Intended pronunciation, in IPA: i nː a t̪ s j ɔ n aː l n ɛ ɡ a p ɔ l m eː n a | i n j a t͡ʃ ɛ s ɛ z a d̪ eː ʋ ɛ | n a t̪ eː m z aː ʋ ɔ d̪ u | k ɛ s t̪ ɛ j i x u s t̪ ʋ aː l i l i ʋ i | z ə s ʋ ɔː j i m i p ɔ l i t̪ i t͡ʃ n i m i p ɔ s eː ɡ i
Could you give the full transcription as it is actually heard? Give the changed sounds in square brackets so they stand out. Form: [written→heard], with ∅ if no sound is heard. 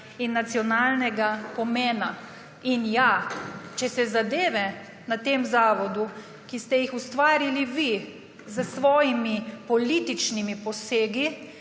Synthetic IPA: i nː a t̪ s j ɔ n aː l n ɛ ɡ a p ɔ [l→∅] m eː n a | i n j a t͡ʃ ɛ s ɛ z a d̪ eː ʋ ɛ | n a t̪ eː m z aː ʋ ɔ d̪ u | k [ɛ→i] s t̪ ɛ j i x u s t̪ ʋ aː [l→ɾ] i l i ʋ i | z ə s ʋ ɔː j i m i p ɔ l i t̪ i t͡ʃ n i m i p ɔ s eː ɡ i